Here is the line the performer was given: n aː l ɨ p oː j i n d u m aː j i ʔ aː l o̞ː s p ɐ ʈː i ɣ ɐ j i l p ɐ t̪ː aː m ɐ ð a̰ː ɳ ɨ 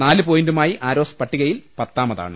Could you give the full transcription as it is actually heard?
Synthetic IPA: n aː l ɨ p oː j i n d u m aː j i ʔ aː ɾ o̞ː s p ɐ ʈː i ɣ ɐ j i l p ɐ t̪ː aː m ɐ ð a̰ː ɳ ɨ